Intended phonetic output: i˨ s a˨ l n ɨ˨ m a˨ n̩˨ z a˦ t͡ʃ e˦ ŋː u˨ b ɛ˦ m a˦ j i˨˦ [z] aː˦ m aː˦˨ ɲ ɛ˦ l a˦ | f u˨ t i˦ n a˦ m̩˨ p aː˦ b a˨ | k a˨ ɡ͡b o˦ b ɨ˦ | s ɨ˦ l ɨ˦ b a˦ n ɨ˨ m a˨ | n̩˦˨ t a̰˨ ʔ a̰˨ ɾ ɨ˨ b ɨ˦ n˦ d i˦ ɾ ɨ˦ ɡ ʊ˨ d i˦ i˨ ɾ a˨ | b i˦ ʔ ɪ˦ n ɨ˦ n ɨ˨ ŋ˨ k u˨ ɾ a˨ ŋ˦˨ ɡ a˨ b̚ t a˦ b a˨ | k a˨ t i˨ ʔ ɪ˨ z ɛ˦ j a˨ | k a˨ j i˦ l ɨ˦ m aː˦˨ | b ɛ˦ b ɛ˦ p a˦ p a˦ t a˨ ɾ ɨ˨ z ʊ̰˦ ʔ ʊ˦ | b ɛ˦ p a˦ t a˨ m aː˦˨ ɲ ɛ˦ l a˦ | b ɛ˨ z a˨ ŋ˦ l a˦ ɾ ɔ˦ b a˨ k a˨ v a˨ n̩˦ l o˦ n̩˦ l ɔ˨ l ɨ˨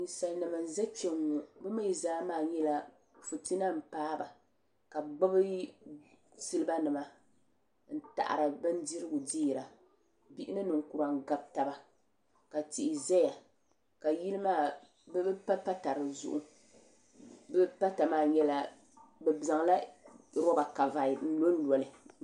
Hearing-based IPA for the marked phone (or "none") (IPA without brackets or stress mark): z